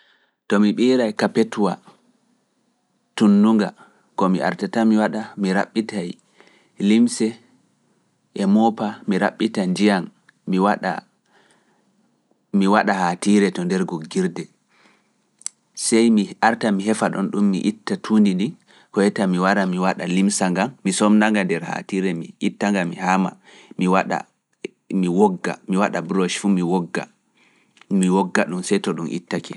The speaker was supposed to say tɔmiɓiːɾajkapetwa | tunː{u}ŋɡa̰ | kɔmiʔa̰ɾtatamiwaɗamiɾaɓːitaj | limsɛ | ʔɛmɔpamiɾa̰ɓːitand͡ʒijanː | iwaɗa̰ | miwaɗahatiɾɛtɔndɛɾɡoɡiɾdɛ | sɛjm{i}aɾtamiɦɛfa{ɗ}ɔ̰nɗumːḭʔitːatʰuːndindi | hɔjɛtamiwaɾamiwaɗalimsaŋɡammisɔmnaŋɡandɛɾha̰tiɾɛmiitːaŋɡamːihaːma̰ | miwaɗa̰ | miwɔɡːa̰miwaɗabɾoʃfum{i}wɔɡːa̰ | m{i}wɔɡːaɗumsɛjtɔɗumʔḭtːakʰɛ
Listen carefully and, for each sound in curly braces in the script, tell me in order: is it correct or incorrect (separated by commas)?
correct, correct, correct, correct, correct